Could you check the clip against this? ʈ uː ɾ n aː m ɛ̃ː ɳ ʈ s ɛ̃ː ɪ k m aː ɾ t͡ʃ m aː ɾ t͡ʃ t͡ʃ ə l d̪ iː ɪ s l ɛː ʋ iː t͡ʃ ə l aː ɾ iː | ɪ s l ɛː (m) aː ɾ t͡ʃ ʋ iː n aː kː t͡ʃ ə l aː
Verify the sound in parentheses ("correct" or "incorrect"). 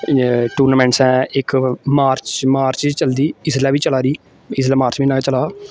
correct